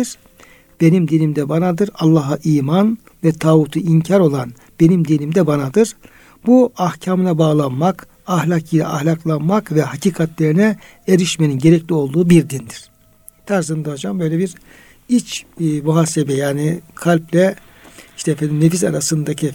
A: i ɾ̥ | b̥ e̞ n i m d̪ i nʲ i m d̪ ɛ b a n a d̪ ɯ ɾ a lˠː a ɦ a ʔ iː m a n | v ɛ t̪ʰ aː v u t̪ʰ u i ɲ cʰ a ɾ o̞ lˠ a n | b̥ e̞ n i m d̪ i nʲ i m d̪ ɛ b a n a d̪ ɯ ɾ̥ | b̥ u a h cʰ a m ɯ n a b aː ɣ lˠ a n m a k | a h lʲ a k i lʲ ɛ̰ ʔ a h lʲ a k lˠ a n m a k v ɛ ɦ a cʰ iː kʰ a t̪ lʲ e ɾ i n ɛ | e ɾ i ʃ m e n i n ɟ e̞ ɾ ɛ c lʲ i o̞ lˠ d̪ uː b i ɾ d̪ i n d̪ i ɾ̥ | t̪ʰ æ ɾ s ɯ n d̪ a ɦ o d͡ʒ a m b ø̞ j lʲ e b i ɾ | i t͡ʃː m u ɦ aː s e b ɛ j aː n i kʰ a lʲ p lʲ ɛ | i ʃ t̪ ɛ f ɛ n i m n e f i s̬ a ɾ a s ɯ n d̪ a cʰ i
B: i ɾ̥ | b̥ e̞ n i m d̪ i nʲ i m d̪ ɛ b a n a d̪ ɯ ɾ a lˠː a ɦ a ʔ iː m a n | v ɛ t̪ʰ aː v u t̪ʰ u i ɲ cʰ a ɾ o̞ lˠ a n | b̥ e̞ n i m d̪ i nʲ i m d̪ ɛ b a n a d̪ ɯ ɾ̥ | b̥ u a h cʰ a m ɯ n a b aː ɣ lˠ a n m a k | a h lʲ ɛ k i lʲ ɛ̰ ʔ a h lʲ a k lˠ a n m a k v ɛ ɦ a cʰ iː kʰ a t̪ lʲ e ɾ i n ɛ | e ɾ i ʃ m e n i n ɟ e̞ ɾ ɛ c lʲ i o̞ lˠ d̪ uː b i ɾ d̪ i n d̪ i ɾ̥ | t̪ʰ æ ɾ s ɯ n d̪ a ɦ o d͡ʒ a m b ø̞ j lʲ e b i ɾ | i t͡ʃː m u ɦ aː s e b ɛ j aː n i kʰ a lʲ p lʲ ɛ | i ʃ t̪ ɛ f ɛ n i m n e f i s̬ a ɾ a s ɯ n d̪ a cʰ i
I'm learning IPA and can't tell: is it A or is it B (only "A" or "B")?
A